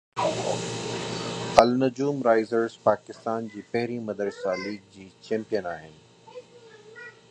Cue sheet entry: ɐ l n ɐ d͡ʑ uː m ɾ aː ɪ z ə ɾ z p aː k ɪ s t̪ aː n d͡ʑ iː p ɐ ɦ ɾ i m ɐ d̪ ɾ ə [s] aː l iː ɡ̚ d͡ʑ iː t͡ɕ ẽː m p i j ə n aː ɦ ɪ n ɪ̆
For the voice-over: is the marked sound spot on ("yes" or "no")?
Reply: yes